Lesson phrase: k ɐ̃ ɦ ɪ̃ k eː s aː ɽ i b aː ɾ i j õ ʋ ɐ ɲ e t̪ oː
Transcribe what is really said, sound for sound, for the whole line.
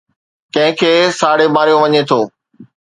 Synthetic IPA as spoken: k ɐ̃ ɦ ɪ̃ kʰ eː s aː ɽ e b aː ɾ i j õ ʋ ɐ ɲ e t̪ʰ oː

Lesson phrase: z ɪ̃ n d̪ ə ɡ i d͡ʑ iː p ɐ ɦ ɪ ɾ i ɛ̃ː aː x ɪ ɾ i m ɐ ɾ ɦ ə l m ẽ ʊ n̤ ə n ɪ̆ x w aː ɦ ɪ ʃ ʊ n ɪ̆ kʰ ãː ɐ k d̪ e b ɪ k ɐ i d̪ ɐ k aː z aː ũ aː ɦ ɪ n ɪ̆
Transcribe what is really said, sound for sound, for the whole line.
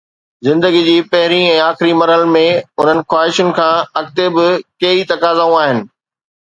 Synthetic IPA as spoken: z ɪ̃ n d̪ ə ɡ i d͡ʑ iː p ɐ ɦ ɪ ɾ i ɛ̃ː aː x ɪ ɾ i m ɐ ɾ ɦ ə l m ẽ ʊ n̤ ə n ɪ̆ x w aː ɦ ɪ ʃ ʊ n ɪ̆ kʰ ãː ɐ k t̪ e b ɪ k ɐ i t̪ ɐ k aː z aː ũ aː ɦ ɪ n ɪ̆

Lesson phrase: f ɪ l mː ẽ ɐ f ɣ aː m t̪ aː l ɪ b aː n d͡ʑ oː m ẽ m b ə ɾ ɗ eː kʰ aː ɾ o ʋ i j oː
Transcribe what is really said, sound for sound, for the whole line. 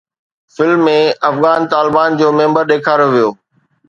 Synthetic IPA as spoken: f ɪ l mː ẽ ɐ f ɣ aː n t̪ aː l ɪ b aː n d͡ʑ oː m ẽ m b ə ɾ ɗ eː kʰ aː ɾ o ʋ i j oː

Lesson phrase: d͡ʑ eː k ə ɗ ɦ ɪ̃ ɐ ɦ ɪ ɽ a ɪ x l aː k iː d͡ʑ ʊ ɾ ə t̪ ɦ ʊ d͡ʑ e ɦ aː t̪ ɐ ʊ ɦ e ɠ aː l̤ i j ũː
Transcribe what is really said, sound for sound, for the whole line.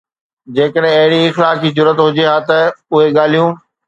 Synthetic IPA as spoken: d͡ʑ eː k ə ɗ ɦ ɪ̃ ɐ ɦ ɪ ɽ i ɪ x l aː k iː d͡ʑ ʊ ɾ ə t̪ ɦ ʊ d͡ʑ e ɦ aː t̪ ɐ ʊ ɦ e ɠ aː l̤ i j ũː

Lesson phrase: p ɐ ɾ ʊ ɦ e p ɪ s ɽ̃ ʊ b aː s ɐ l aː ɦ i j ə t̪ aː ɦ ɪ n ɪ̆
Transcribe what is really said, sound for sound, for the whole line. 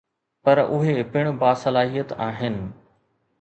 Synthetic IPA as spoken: p ɐ ɾ ʊ ɦ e p ɪ ɽ̃ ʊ b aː s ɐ l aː ɦ i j ə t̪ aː ɦ ɪ n ɪ̆

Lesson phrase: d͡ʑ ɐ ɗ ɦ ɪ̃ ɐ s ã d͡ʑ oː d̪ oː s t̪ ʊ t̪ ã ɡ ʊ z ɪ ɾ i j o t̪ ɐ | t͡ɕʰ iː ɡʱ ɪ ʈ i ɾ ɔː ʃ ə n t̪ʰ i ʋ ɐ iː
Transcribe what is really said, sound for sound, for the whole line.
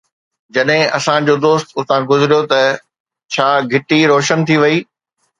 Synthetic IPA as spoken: d͡ʑ ɐ ɗ ɦ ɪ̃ ɐ s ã d͡ʑ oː d̪ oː s t̪ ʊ t̪ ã ɡ ʊ z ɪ ɾ i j o t̪ ɐ | t͡ɕʰ aː ɡʱ ɪ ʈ i ɾ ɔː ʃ ə n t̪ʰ i ʋ ɐ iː

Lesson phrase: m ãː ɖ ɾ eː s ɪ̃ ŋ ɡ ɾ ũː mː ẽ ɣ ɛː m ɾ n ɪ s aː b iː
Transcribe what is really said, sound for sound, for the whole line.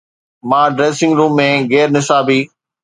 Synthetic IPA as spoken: m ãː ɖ ɾ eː s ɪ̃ ŋ ɡ ɾ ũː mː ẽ ɣ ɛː ɾ n ɪ s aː b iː

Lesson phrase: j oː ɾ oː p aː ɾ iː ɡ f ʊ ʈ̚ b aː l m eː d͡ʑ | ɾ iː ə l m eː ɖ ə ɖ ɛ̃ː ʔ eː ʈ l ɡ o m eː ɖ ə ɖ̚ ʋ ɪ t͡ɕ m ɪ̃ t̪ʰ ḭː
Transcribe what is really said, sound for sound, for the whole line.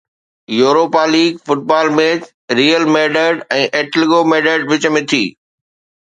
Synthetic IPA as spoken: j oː ɾ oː p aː l iː ɡ f ʊ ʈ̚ b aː l m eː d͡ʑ | ɾ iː ə l m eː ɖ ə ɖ ɛ̃ː ʔ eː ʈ l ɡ o m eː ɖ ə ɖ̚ ʋ ɪ t͡ɕ m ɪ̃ t̪ʰ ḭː

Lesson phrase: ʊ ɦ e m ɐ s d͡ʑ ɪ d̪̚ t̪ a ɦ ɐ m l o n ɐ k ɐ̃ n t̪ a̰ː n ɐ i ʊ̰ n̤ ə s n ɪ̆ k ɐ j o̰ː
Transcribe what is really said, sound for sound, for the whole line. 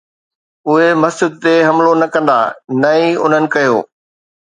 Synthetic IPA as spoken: ʊ ɦ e m ɐ s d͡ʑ ɪ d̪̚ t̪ e ɦ ɐ m l o n ɐ k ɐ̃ n d̪ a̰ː n ɐ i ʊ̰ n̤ ə n ɪ̆ k ɐ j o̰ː

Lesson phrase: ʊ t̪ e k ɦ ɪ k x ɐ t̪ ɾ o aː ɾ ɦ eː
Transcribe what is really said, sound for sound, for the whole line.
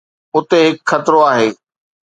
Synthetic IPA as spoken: ʊ t̪ e ɦ ɪ k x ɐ t̪ ɾ o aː ɦ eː

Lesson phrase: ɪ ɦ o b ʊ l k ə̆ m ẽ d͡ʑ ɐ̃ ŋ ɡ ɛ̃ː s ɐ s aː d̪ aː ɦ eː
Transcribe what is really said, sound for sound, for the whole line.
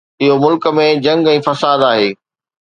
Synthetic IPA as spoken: ɪ ɦ o m ʊ l k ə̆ m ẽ d͡ʑ ɐ̃ ŋ ɡ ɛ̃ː f ɐ s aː d̪ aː ɦ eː

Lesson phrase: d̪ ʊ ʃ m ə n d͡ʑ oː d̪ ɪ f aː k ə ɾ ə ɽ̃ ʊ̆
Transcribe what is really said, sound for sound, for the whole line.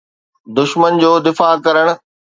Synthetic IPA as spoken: d̪ ʊ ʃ m ə n d͡ʑ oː d̪ ɪ f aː k ɐ ɾ ə ɽ̃ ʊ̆

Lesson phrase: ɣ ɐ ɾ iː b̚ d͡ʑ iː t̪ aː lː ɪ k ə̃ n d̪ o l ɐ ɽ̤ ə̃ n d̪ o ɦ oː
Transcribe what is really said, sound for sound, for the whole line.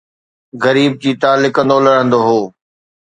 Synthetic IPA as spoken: ɣ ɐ ɾ iː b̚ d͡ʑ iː t̪ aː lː ɪ k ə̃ n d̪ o l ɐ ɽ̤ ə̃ n d̪ o ɦ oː

